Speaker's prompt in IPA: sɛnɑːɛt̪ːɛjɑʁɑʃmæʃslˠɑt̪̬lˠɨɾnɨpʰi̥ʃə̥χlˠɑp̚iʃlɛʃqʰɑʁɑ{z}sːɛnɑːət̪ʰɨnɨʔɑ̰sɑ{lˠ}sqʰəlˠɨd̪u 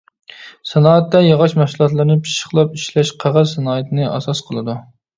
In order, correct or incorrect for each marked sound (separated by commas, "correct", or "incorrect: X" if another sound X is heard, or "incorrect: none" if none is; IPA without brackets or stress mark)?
correct, incorrect: none